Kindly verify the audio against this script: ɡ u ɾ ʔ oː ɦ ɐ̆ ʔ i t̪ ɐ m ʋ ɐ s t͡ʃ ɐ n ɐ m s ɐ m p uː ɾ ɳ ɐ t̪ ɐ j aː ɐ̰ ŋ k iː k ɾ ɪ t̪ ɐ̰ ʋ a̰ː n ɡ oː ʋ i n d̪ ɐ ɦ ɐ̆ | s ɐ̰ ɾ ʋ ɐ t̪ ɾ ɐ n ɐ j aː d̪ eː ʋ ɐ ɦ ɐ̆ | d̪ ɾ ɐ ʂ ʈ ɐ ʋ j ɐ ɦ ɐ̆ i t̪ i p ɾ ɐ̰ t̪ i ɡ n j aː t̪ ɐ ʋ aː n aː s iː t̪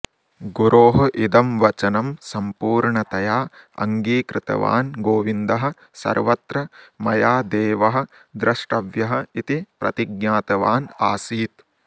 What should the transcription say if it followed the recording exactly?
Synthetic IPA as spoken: ɡ u ɾ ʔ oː ɦ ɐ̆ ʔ i d̪ ɐ m ʋ ɐ t͡ʃ ɐ n ɐ m s ɐ m p uː ɾ ɳ ɐ t̪ ɐ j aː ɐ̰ ŋ ɡ iː k ɾ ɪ t̪ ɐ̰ ʋ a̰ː n ɡ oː ʋ i n d̪ ɐ ɦ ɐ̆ | s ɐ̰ ɾ ʋ ɐ t̪ ɾ ɐ m ɐ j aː d̪ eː ʋ ɐ ɦ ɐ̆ | d̪ ɾ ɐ ʂ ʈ ɐ ʋ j ɐ ɦ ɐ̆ i t̪ i p ɾ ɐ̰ t̪ i ɡ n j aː t̪ ɐ ʋ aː n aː s iː t̪